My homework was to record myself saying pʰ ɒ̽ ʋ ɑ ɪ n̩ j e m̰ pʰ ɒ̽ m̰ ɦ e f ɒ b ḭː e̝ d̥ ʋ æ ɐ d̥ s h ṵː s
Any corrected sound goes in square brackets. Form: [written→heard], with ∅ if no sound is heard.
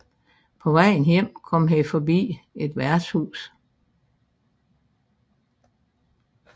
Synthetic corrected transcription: pʰ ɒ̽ ʋ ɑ ɪ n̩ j e m̰ [pʰ→kʰ] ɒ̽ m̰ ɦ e f ɒ b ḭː e̝ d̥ ʋ æ ɐ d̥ s h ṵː s